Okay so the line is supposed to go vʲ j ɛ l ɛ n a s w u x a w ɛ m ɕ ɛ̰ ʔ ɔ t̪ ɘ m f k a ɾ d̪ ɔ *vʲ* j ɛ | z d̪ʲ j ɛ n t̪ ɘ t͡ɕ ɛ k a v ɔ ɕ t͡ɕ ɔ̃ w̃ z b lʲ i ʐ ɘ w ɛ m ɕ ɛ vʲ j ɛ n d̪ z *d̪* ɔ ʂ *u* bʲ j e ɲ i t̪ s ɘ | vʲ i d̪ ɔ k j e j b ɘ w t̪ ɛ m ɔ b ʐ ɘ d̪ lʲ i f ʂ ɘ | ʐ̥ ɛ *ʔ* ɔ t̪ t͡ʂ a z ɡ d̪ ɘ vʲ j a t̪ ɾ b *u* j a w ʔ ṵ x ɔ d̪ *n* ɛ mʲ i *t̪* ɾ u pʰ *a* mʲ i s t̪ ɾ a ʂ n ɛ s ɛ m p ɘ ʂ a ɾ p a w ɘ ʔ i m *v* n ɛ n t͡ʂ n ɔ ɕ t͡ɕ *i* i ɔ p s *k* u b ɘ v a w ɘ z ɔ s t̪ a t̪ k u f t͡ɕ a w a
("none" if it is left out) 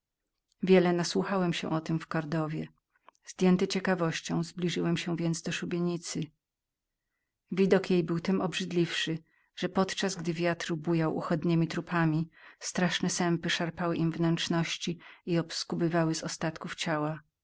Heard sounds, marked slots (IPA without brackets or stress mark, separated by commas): vʲ, d̪, u, p, u, ɲ, t̪, a, v, i, k